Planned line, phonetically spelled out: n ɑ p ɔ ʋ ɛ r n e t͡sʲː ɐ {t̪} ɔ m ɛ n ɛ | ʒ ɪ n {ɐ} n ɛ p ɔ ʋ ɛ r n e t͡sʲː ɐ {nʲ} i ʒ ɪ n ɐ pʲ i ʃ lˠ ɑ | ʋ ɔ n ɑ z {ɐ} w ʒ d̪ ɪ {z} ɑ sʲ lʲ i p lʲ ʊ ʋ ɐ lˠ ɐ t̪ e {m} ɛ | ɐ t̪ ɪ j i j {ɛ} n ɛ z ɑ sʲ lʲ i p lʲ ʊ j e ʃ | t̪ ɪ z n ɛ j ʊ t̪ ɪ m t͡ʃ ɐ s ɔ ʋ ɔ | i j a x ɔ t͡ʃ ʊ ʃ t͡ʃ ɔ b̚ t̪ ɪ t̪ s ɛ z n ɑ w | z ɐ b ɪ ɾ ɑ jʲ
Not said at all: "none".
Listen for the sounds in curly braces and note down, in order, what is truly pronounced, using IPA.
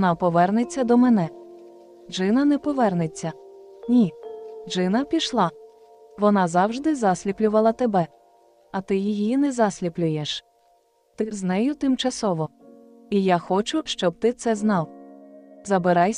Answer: d̪, ɐ, nʲ, ɑ, z, b, i

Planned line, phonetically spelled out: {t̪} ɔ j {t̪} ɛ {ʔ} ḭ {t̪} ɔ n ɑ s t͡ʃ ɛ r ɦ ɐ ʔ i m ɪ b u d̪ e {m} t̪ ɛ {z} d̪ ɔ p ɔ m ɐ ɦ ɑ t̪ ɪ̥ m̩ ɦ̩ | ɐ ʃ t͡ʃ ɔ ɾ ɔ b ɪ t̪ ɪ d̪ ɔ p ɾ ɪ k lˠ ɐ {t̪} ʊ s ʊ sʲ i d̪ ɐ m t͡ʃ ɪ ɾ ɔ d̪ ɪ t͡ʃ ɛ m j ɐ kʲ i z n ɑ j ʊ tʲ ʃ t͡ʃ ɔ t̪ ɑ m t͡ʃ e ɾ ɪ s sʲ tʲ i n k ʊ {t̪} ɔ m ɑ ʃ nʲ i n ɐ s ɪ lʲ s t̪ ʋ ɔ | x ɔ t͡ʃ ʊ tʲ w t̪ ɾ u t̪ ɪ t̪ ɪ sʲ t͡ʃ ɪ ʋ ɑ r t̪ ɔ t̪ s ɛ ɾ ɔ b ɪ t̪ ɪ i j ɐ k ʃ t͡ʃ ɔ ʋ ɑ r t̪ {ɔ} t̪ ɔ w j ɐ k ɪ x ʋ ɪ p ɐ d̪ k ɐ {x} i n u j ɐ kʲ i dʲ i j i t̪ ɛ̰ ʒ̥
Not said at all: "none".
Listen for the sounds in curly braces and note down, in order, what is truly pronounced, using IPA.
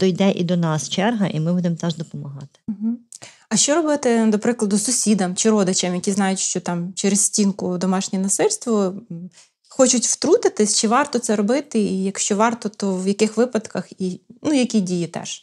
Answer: d̪, d̪, ʔ, d̪, m, ʒ, d̪, d̪, ɔ, x

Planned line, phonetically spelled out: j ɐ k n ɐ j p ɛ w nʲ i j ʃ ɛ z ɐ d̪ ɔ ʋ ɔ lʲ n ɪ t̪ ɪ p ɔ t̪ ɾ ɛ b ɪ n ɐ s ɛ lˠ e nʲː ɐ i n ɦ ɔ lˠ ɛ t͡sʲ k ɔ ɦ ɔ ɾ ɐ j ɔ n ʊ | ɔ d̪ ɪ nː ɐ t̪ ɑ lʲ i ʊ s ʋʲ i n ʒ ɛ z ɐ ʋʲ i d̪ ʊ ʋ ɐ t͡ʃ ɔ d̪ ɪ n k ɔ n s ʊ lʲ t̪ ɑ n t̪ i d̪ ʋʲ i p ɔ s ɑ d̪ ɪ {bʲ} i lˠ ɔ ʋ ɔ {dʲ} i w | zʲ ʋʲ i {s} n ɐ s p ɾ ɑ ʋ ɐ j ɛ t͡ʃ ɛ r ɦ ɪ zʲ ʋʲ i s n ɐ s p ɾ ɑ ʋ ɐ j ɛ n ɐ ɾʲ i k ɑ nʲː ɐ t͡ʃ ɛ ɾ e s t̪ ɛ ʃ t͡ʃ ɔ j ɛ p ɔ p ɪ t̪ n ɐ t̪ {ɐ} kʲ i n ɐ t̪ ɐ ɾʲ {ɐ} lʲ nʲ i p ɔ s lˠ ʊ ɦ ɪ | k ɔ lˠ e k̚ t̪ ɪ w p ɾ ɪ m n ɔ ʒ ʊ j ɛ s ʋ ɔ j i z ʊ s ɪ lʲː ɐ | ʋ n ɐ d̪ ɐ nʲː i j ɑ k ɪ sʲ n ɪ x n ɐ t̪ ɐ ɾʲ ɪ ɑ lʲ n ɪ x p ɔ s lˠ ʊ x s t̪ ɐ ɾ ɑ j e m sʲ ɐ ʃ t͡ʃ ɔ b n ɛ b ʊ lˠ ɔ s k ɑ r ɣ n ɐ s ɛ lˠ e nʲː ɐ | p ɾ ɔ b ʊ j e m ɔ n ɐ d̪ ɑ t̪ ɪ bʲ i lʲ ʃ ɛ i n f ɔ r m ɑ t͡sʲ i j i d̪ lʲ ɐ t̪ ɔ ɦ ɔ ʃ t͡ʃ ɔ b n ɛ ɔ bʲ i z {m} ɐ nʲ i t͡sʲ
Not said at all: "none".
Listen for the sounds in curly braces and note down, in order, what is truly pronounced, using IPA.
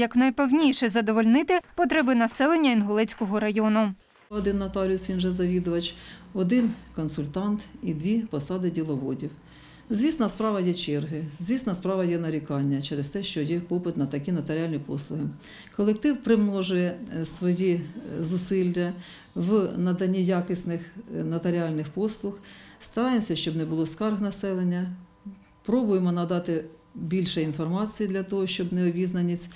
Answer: dʲ, dʲ, s, ɐ, ɑ, n

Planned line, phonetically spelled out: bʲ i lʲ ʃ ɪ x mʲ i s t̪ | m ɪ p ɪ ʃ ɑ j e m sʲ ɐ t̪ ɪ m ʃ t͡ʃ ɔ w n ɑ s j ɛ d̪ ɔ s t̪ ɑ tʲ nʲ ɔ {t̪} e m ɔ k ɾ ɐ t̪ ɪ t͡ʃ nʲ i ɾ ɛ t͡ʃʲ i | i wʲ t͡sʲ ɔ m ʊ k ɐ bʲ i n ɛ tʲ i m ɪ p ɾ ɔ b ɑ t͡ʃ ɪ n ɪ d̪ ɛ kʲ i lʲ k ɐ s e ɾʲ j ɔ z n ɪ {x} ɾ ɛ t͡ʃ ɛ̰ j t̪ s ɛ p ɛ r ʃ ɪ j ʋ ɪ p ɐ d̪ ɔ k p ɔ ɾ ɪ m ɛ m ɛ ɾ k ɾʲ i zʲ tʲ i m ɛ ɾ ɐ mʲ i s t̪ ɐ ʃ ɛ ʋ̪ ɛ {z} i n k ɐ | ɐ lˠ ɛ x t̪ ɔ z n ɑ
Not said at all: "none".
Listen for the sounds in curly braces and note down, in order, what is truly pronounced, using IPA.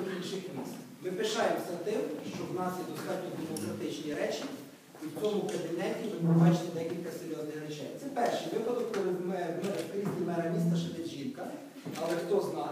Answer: d̪, x, ʒ

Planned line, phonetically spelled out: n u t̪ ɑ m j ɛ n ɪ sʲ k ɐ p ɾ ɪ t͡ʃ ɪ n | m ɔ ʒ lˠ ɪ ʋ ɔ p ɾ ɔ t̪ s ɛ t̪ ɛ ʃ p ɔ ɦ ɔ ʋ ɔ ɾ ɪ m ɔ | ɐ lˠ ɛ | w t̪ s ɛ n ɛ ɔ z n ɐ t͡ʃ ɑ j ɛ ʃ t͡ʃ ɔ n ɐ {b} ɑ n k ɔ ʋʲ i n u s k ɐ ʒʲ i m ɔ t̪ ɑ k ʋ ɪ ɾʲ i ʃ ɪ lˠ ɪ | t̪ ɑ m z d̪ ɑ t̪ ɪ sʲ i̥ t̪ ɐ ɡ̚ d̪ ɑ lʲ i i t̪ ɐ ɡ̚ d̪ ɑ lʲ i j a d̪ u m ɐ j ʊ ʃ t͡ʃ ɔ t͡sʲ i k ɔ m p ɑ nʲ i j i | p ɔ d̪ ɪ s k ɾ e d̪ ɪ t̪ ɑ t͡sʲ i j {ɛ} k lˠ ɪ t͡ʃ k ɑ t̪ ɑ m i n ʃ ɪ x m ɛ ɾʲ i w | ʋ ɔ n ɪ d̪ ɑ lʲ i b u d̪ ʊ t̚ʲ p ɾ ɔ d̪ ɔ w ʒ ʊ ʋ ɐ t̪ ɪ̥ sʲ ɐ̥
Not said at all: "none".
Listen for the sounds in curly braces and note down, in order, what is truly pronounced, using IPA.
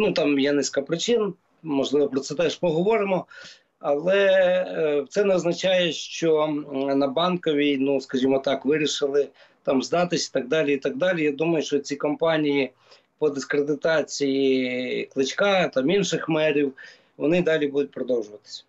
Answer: b, i

